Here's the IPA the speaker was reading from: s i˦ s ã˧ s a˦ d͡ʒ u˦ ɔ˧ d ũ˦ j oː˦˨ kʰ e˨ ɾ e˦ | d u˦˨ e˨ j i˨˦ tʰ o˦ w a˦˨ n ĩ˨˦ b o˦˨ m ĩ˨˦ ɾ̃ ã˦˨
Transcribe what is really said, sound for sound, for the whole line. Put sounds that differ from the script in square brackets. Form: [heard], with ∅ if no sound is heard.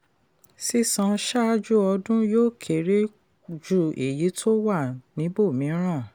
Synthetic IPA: s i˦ s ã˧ [ʃ] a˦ d͡ʒ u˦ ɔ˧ d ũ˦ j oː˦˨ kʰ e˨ ɾ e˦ | [d͡ʒ] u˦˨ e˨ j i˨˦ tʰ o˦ w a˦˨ n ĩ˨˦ b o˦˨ m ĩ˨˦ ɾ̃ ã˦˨